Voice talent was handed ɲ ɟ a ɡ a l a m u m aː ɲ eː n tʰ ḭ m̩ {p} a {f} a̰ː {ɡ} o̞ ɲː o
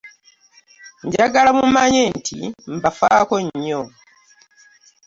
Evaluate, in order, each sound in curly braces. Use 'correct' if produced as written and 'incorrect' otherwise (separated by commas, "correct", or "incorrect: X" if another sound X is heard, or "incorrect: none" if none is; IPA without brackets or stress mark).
incorrect: b, correct, incorrect: k